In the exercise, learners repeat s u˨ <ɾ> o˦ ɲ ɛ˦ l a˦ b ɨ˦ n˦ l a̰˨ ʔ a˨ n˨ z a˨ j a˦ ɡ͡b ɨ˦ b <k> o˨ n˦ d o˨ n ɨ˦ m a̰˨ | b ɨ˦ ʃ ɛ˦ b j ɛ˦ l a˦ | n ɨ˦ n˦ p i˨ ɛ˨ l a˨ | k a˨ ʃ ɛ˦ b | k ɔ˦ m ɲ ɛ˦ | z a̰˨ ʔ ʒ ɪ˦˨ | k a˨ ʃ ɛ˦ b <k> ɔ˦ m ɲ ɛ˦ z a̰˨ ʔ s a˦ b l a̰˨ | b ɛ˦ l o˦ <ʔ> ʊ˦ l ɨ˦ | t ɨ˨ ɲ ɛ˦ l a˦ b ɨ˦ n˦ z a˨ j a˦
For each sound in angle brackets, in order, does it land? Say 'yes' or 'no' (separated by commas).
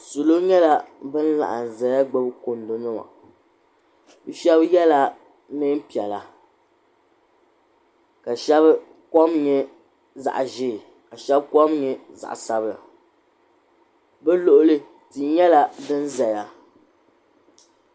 no, yes, yes, yes